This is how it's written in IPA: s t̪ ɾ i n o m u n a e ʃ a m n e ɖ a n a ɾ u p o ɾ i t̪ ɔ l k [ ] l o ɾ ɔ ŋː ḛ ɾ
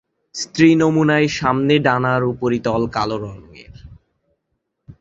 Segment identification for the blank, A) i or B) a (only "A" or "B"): B